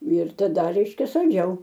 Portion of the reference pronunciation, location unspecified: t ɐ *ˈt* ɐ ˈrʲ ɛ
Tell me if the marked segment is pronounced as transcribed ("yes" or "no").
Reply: no